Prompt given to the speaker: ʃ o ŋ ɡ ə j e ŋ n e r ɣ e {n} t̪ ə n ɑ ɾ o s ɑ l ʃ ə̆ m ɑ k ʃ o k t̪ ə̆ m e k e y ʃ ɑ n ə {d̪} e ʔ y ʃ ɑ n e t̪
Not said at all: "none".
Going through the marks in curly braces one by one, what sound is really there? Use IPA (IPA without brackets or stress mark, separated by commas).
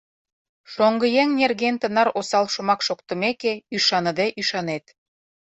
n, d̪